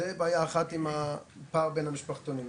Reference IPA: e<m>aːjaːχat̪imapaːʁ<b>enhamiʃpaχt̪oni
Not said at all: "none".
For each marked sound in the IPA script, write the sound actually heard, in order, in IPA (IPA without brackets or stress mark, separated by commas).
b, b